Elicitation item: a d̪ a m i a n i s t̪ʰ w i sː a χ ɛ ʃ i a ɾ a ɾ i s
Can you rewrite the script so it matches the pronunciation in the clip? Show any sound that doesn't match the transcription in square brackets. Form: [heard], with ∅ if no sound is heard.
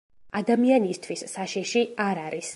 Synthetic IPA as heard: a d̪ a m i a n i s t̪ʰ w i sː a [ʃ] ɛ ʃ i a ɾ a ɾ i s